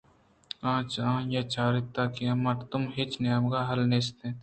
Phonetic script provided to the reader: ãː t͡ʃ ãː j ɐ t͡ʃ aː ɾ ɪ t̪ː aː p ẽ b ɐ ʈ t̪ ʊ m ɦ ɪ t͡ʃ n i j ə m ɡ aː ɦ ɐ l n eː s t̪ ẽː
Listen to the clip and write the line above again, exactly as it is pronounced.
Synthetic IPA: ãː t͡ʃ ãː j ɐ t͡ʃ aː ɾ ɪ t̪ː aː k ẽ m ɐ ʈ t̪ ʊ m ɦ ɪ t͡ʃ n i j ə m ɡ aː ɦ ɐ l n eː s t̪ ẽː